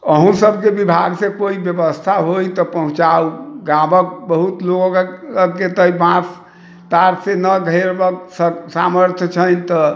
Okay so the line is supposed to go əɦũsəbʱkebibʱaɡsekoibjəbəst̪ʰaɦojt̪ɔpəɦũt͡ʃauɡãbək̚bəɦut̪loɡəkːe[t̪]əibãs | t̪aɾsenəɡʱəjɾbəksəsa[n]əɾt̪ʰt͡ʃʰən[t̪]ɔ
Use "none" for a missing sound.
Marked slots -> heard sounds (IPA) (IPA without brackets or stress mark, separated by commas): t̪, m, t̪